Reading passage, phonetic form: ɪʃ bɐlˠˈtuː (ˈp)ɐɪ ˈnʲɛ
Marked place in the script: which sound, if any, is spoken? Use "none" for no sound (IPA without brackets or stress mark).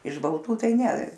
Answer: t